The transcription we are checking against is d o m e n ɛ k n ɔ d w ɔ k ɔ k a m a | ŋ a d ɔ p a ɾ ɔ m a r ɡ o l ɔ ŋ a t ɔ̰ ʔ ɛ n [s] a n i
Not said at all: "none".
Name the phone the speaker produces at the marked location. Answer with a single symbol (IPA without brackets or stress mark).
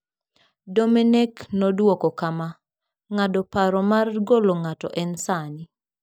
s